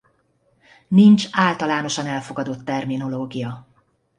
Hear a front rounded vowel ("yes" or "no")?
no